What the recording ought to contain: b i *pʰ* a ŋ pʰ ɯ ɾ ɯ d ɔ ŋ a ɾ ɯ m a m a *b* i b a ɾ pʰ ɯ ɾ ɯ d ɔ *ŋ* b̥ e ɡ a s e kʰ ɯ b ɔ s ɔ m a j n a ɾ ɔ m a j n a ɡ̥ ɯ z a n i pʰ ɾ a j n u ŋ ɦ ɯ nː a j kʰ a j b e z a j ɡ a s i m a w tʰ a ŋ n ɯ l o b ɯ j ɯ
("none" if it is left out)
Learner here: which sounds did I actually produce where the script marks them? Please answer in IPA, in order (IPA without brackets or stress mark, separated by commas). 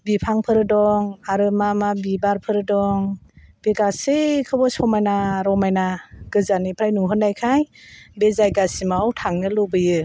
pʰ, b, ŋ